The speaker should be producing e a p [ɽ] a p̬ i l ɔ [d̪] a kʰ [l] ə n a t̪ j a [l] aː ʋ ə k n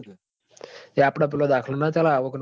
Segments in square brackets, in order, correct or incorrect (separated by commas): correct, correct, correct, correct